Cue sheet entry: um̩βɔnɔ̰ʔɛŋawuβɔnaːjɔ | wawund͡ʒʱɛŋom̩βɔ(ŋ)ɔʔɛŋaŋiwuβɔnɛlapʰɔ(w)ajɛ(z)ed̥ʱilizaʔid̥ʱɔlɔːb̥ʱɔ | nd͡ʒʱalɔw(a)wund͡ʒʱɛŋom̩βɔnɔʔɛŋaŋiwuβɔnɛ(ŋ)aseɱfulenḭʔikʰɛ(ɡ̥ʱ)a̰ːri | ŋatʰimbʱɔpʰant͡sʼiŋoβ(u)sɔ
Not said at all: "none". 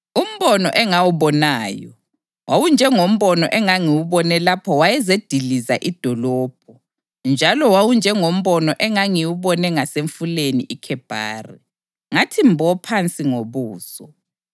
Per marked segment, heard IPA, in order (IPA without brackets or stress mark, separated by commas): n, w, z, a, ŋ, b̥ʱ, uː